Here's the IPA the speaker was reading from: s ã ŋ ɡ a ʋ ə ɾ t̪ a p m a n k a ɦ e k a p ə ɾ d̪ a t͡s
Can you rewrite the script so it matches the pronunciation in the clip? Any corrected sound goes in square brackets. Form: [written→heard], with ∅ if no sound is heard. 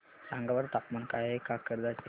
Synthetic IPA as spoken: s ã ŋ ɡ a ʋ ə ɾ t̪ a p m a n k a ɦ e k a [p→k] ə ɾ d̪ a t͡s